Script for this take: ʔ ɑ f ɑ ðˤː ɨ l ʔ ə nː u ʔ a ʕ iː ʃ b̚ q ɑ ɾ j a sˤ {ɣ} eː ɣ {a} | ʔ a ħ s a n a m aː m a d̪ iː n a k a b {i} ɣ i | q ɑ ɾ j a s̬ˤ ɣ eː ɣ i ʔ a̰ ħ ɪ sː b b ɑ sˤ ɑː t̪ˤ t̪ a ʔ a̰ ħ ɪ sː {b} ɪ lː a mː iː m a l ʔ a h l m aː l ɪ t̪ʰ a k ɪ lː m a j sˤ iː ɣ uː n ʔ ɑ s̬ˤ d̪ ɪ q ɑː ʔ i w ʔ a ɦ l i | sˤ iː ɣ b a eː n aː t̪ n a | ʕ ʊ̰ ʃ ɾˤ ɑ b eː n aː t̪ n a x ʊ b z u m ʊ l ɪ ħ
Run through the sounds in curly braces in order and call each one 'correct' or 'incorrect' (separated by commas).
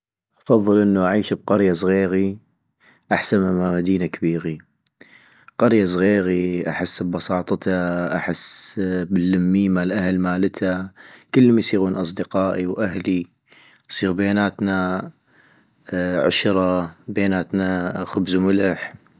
correct, incorrect, incorrect, correct